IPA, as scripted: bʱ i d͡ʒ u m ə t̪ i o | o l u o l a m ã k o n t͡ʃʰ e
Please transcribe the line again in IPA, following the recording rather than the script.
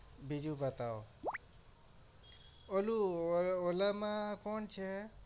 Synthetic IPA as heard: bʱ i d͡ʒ u b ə t̪ a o | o l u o l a m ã k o n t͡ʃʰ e

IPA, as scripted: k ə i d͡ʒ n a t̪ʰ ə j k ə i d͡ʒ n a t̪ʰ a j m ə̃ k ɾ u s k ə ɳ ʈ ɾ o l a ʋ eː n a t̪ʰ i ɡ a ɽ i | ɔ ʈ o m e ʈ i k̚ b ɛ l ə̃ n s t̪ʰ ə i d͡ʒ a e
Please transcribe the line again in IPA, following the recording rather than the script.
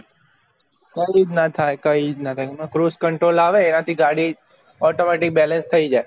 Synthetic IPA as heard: k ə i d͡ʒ n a t̪ʰ a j k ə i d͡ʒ n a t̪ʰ a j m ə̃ k ɾ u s k ə ɳ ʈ ɾ o l a ʋ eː n a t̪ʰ i ɡ a ɽ i | ɔ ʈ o m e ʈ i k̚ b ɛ l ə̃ n s t̪ʰ ə i d͡ʒ a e

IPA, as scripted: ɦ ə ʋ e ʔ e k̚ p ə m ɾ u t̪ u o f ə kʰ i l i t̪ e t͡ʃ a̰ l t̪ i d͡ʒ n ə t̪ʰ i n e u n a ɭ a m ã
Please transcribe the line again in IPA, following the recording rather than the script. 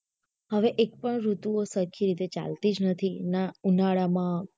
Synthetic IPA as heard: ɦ ə ʋ e ʔ e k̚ p ə ɳ ɾ u t̪ u o s ə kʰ i ɾ i t̪ e t͡ʃ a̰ l t̪ i d͡ʒ n ə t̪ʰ i n a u n a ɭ a m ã

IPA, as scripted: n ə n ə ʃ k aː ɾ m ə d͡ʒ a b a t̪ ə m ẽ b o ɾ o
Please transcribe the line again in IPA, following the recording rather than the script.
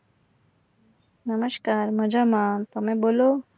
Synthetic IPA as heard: n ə m ə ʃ k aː ɾ m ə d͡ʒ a m a t̪ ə m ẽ b o l o

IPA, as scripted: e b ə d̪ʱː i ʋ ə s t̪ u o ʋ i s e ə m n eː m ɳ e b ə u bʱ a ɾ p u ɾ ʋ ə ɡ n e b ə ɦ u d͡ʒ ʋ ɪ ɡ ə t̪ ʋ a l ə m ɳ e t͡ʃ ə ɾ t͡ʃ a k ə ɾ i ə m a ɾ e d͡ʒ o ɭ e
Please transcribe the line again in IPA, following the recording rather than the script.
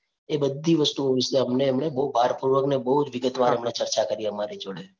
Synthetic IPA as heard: e b ə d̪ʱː i ʋ ə s t̪ u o ʋ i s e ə m n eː m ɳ e b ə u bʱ a ɾ p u ɾ ʋ ə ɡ n e b ə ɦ u d͡ʒ ʋ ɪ ɡ ə t̪ ʋ a ɾ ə m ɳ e t͡ʃ ə ɾ t͡ʃ a k ə ɾ i ə m a ɾ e d͡ʒ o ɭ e

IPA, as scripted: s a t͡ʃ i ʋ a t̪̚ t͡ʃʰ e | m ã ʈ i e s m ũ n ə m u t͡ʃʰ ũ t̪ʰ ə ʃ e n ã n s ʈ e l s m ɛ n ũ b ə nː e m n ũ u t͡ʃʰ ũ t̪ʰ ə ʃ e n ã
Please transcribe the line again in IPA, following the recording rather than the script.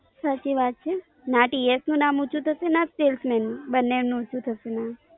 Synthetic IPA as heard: s a t͡ʃ i ʋ a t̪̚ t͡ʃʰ e | n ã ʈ i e s n ũ n a m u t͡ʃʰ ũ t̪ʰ ə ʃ e n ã s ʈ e l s m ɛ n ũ b ə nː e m n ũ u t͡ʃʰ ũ t̪ʰ ə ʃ e n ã

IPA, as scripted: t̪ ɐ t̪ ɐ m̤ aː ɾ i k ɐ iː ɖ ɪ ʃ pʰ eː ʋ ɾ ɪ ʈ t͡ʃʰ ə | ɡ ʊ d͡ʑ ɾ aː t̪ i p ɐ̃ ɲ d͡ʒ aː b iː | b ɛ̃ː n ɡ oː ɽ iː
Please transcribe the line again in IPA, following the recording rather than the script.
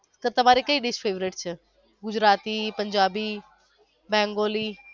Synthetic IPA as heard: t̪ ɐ t̪ ɐ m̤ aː ɾ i k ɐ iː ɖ ɪ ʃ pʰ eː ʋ ɾ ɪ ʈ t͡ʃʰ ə | ɡ ʊ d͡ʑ ɾ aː t̪ i p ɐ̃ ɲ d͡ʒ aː b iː | b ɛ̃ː ŋ ɡ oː l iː

